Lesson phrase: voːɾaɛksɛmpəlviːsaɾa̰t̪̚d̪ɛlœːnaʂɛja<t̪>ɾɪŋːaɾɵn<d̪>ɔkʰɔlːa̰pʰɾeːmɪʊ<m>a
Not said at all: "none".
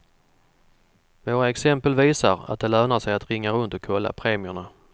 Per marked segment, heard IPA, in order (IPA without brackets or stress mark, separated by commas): t̪, t̪, ɳ